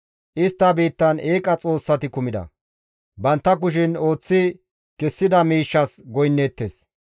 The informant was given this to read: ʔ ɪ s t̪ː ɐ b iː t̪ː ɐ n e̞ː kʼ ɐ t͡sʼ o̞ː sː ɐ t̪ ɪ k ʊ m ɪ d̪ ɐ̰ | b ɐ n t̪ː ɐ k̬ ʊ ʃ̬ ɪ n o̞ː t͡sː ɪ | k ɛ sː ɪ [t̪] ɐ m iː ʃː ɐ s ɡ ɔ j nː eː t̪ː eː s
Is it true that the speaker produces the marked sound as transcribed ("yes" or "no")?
no